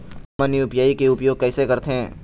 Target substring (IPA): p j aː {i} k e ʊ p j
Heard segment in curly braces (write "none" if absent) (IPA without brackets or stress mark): i